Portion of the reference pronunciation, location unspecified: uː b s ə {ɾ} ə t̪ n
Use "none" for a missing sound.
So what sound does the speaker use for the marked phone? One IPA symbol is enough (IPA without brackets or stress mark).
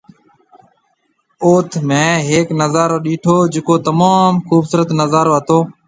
ɾ